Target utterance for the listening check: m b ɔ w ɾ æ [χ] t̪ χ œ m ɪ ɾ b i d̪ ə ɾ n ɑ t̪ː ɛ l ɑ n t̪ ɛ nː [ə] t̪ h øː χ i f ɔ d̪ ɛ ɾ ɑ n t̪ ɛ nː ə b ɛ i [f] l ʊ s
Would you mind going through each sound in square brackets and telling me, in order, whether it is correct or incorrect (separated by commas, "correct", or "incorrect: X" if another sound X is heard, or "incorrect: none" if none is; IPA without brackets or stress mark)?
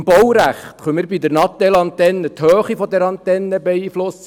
correct, correct, correct